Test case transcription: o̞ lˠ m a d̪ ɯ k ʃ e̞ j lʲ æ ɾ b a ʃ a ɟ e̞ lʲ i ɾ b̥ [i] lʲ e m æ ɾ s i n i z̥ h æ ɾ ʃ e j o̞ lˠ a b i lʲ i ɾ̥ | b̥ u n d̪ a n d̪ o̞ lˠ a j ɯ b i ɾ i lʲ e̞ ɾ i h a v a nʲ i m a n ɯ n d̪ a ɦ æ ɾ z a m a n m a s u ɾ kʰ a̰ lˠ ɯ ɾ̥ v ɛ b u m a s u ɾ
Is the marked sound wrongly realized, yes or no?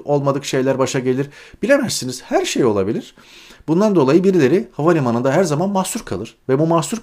no